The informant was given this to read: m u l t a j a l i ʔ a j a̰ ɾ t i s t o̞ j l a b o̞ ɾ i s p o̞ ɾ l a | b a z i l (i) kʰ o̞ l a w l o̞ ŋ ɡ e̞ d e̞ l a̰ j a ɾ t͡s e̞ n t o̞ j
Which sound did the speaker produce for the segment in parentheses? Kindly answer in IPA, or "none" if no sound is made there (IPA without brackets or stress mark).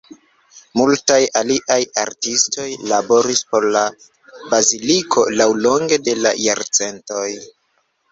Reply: i